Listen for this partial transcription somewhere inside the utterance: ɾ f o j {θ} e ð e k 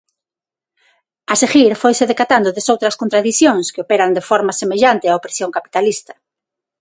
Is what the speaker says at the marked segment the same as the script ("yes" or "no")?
no